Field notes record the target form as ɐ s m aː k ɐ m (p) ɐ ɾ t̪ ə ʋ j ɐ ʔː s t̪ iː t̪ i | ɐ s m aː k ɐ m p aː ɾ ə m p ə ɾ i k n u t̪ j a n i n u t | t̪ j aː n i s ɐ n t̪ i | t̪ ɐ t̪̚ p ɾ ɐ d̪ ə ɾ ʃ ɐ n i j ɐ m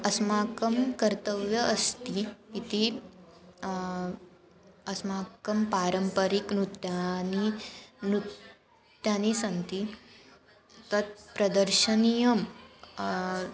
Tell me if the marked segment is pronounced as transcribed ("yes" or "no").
no